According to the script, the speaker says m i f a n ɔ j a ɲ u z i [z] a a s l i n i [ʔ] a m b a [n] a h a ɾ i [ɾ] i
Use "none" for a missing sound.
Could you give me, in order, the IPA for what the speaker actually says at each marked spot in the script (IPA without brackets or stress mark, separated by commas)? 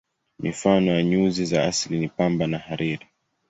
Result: z, p, n, ɾ